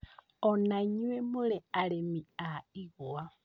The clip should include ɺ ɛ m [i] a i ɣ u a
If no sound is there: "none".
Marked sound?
i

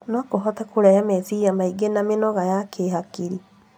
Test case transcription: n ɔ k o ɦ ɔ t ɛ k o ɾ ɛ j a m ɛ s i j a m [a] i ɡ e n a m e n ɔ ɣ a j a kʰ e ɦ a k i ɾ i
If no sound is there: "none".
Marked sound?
a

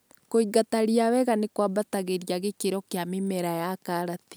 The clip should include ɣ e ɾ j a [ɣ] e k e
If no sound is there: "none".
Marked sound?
ɣ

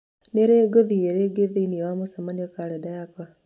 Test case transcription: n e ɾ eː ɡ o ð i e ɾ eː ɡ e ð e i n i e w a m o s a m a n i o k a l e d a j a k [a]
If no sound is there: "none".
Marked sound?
a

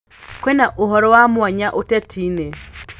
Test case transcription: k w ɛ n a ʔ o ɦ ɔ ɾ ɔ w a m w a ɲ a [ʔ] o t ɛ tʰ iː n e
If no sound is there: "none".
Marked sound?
ʔ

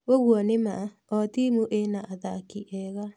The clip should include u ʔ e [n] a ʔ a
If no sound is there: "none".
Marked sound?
n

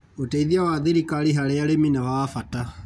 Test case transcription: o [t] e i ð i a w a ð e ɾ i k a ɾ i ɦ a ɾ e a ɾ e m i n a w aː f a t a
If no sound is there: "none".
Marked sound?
t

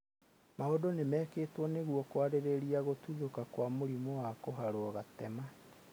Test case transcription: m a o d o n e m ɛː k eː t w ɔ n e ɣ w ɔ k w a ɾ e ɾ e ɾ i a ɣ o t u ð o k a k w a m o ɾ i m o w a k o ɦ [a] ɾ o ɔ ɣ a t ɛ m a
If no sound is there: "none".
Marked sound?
a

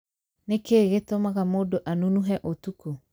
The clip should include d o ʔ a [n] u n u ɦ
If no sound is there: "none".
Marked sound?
n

